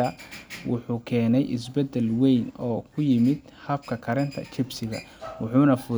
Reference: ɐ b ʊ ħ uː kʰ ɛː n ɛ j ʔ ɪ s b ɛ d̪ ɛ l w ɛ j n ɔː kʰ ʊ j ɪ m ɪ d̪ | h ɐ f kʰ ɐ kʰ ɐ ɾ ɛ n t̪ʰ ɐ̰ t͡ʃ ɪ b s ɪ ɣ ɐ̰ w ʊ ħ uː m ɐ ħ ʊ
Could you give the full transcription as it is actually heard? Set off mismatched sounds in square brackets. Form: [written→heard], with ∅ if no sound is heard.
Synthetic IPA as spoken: ɐ [b→w] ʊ ħ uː kʰ ɛː n ɛ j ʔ ɪ s b ɛ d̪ ɛ l w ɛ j n ɔː kʰ ʊ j ɪ m ɪ d̪ | h ɐ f kʰ ɐ kʰ ɐ ɾ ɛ n t̪ʰ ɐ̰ t͡ʃ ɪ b s ɪ ɣ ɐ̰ w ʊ ħ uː [m→n] ɐ [ħ→f] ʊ